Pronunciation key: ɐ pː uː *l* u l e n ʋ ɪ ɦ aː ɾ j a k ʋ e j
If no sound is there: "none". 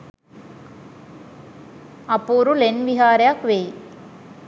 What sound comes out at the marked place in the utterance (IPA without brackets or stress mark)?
ɾ